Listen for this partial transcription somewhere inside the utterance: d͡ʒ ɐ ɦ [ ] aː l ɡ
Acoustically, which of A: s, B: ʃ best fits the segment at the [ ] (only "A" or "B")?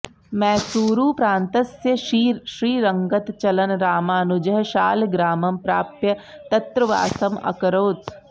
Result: B